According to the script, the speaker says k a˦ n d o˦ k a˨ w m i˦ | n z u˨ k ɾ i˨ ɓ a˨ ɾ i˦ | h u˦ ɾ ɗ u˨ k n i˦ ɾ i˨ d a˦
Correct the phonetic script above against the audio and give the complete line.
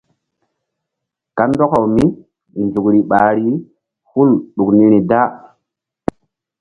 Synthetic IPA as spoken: k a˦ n d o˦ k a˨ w m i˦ | n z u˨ k ɾ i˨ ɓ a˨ ɾ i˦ | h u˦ l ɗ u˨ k n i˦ ɾ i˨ d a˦